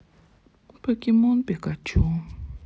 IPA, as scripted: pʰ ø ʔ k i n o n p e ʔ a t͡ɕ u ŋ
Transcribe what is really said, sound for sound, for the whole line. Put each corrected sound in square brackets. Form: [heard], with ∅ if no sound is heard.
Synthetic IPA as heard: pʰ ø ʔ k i [m] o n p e [k] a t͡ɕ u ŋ